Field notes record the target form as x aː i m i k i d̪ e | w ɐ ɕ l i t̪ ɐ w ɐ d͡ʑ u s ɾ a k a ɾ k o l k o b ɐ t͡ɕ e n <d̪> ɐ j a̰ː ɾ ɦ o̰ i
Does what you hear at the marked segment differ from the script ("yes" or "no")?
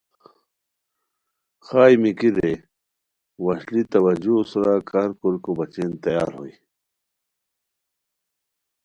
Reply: yes